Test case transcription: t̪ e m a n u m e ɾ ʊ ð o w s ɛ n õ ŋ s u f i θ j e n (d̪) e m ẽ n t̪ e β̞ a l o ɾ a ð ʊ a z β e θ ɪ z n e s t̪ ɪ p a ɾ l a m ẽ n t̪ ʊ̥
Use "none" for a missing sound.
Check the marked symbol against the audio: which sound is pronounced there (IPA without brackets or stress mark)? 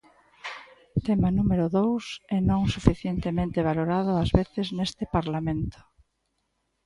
t̪